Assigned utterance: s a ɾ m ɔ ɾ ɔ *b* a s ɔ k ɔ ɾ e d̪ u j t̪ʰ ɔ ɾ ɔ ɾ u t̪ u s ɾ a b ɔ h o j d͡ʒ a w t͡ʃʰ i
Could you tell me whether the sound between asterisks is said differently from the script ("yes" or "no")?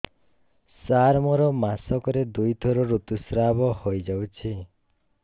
yes